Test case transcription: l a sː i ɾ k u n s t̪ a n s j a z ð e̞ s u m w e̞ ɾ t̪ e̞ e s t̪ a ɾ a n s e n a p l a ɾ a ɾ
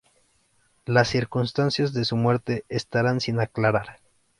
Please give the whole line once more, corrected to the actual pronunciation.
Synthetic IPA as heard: l a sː i ɾ k u n s t̪ a n s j a z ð e̞ s u m w e̞ ɾ t̪ e̞ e s t̪ a ɾ a n s i n a k l a ɾ a ɾ